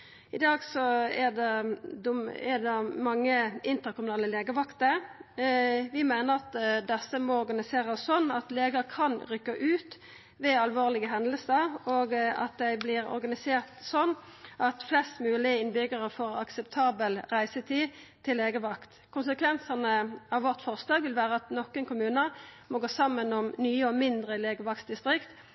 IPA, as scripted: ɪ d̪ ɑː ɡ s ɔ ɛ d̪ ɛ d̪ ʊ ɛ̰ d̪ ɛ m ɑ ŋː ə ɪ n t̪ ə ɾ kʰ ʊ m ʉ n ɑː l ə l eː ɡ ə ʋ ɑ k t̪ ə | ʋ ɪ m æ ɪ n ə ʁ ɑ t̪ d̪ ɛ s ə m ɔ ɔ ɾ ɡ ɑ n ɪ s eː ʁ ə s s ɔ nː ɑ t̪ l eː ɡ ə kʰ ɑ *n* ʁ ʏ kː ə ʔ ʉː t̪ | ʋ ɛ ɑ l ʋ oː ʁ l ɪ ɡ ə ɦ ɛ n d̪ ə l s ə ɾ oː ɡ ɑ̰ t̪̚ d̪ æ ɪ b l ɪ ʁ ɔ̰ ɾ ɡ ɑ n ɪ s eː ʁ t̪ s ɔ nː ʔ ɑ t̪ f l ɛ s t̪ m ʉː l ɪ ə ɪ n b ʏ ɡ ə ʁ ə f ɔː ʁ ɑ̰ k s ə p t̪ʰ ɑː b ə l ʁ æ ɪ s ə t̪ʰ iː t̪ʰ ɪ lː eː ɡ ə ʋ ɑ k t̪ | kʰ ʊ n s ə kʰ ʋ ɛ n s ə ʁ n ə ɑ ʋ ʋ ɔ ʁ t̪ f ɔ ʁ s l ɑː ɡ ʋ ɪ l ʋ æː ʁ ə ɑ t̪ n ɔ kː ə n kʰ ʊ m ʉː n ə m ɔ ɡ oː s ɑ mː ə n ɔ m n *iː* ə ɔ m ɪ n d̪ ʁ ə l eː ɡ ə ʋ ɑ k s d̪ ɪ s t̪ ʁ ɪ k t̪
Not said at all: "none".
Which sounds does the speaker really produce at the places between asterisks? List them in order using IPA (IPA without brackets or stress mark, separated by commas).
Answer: n, yː